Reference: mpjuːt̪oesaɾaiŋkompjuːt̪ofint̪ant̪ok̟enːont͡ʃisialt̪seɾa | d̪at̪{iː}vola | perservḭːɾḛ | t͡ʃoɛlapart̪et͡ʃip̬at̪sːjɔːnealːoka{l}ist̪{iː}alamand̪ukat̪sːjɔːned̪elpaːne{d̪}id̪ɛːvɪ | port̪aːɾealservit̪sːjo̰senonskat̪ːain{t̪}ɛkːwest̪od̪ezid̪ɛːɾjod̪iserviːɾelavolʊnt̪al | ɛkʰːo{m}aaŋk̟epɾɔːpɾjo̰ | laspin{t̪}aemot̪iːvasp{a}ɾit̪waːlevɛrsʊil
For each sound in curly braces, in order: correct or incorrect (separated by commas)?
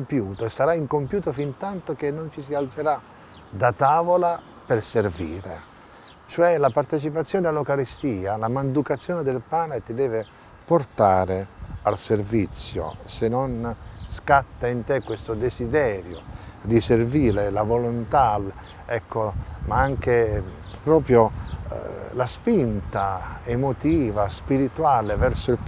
incorrect, incorrect, correct, incorrect, correct, correct, correct, incorrect